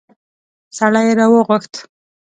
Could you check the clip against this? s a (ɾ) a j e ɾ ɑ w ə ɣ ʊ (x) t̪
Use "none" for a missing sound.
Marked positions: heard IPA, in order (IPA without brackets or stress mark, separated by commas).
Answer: ɽ, x